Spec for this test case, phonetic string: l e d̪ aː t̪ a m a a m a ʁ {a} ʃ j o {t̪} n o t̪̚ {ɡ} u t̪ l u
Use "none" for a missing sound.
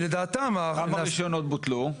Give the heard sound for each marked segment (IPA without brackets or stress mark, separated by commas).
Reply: i, none, b